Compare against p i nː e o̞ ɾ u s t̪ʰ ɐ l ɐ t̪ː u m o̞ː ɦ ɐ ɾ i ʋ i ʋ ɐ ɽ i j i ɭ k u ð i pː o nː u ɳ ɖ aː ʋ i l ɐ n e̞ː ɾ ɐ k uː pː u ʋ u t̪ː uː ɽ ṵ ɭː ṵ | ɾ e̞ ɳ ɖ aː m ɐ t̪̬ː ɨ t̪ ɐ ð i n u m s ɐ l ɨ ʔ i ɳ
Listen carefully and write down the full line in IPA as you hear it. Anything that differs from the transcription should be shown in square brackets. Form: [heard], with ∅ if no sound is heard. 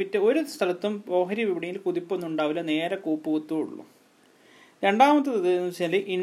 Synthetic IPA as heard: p i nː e o̞ ɾ u s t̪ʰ ɐ l ɐ t̪ː u m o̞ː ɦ ɐ ɾ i ʋ i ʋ ɐ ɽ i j i [l] k u ð i pː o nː u ɳ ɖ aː ʋ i l ɐ n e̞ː ɾ ɐ k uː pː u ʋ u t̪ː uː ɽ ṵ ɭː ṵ | ɾ e̞ ɳ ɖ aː m ɐ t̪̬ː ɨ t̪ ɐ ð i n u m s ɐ l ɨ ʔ i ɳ